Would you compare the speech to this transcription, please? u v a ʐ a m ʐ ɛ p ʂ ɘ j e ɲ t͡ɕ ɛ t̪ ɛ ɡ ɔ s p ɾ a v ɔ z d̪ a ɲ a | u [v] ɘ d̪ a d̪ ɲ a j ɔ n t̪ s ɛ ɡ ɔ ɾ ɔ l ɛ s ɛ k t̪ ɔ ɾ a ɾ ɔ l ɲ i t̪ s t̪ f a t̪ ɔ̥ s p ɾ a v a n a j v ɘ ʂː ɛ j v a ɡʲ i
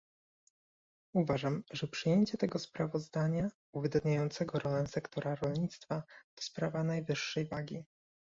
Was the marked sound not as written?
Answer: no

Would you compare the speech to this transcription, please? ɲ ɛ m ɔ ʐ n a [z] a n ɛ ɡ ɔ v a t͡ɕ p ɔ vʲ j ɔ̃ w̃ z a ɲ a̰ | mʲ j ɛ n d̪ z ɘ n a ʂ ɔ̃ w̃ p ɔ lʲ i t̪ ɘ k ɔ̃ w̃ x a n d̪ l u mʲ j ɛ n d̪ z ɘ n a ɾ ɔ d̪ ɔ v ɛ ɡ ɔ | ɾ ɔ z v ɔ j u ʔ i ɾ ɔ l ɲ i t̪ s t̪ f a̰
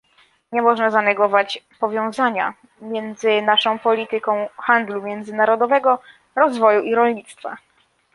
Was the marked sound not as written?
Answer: no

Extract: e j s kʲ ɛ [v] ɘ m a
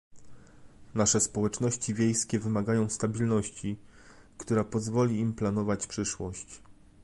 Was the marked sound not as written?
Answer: no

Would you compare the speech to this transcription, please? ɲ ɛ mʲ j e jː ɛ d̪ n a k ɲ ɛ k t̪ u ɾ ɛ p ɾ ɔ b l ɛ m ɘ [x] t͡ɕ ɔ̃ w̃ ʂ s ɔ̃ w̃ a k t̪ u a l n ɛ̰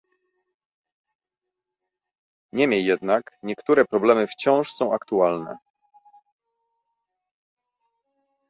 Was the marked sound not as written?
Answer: yes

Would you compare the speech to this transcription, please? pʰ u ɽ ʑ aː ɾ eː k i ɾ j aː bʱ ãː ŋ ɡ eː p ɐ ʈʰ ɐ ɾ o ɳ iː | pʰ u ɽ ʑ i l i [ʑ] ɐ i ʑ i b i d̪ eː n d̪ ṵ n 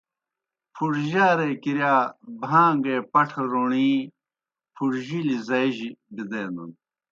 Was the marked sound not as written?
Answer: yes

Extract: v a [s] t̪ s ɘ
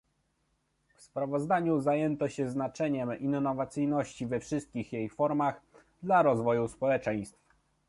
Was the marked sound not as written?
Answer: yes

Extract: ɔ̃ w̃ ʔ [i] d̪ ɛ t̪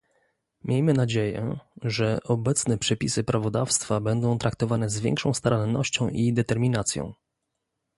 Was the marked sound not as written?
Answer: no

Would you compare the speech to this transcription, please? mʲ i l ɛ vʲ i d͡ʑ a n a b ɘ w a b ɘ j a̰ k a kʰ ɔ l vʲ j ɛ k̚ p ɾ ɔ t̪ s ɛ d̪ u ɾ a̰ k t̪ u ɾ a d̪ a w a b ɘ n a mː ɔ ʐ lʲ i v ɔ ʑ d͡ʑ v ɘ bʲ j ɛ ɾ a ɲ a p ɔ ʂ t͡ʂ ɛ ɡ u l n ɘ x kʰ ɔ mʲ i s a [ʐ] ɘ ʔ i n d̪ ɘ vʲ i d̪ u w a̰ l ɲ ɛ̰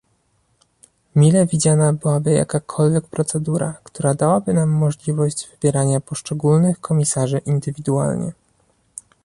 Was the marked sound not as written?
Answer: no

